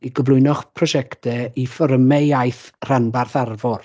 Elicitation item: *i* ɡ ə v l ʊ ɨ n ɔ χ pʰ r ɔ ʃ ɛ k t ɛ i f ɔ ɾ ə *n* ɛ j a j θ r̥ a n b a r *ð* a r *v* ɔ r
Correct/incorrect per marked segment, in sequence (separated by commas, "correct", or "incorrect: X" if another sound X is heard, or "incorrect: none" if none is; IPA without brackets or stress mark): correct, incorrect: m, incorrect: θ, correct